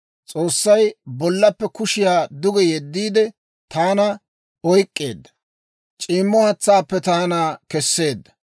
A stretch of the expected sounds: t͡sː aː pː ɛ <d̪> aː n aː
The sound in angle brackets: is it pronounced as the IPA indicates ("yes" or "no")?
no